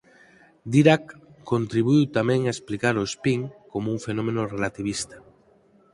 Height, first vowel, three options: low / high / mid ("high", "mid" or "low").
high